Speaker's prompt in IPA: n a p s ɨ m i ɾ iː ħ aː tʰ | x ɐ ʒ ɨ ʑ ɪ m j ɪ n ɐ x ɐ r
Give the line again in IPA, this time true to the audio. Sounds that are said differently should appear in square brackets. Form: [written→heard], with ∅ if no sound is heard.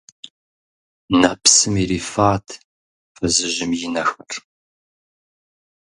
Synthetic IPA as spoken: n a p s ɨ m i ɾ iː [ħ→f] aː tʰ | [x→f] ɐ [ʒ→z] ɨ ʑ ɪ m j ɪ n ɐ x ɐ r

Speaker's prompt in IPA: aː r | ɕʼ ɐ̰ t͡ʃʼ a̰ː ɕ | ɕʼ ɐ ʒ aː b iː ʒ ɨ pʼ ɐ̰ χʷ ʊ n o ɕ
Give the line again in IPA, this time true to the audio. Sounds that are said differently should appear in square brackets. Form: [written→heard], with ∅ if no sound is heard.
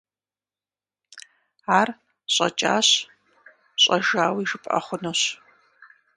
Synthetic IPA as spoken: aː r | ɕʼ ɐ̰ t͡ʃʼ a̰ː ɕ | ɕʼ ɐ ʒ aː [b→w] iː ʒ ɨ pʼ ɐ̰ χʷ ʊ n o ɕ

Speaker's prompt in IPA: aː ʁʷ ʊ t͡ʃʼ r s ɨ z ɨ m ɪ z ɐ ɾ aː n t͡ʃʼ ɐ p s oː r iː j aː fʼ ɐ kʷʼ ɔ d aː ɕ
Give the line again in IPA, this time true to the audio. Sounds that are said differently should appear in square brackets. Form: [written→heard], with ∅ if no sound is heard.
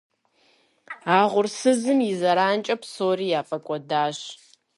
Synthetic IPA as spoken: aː ʁʷ ʊ [t͡ʃʼ→∅] r s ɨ z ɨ m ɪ z ɐ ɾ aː n t͡ʃʼ ɐ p s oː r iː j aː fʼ ɐ kʷʼ ɔ d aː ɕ

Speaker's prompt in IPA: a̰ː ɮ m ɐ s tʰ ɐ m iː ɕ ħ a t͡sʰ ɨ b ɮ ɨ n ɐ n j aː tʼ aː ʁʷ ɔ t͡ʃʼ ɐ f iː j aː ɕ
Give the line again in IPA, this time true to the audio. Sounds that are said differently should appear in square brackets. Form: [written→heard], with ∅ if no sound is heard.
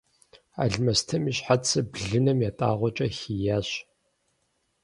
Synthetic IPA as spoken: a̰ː ɮ m ɐ s tʰ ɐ m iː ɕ ħ a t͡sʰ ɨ b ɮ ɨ n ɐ [n→m] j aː tʼ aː ʁʷ ɔ t͡ʃʼ ɐ [f→x] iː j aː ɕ

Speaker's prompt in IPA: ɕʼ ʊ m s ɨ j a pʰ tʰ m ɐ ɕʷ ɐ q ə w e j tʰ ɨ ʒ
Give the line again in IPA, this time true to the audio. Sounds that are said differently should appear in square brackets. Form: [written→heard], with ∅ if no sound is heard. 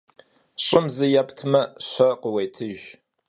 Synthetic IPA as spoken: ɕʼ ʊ m [s→z] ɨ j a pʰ tʰ m ɐ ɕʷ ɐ q ə w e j tʰ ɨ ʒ

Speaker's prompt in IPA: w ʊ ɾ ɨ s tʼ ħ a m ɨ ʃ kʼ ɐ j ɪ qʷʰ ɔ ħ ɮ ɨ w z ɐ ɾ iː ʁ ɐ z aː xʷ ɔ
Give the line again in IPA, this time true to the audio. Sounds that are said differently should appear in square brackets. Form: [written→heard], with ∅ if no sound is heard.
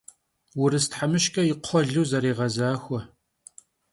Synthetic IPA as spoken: w ʊ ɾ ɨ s [tʼ→t] ħ a m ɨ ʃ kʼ ɐ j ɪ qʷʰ ɔ [ħ→∅] ɮ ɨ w z ɐ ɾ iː ʁ ɐ z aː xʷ ɔ

